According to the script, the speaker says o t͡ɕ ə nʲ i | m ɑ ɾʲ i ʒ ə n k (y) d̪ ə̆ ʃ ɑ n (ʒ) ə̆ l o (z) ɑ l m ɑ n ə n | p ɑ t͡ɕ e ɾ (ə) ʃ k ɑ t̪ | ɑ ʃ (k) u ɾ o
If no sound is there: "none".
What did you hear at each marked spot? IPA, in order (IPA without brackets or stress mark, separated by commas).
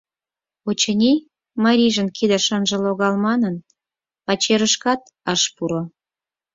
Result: i, ʒ, ɣ, ə, p